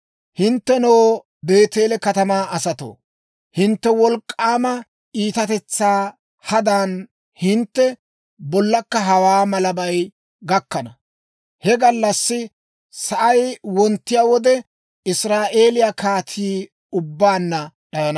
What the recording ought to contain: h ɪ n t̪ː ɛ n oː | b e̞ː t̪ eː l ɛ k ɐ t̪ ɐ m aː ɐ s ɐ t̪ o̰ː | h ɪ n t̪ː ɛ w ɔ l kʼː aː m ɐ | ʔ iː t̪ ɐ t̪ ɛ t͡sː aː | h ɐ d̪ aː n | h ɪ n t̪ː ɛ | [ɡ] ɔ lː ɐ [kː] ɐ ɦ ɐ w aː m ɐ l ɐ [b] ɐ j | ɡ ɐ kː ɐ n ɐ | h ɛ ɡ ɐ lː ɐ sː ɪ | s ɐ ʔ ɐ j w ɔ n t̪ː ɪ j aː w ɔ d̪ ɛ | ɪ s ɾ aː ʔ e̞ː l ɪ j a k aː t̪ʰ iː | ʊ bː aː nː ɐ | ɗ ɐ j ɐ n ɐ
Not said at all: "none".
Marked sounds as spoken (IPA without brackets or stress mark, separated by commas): b, kː, b